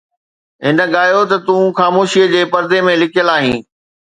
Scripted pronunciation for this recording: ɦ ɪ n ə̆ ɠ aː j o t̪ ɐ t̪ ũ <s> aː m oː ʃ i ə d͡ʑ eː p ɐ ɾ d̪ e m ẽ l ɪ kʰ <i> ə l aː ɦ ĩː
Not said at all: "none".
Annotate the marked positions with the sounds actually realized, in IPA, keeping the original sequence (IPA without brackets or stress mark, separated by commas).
x, j